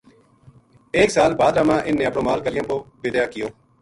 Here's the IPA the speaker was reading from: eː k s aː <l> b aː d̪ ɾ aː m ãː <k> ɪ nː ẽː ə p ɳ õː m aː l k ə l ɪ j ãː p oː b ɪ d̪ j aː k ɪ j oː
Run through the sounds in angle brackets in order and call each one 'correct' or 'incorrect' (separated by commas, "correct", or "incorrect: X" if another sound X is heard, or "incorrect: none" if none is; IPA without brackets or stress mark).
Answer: correct, incorrect: ʔ